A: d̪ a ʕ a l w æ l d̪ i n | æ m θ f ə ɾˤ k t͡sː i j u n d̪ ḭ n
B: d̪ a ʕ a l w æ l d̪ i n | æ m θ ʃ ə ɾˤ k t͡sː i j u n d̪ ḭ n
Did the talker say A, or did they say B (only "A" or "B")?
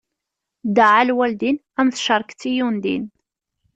B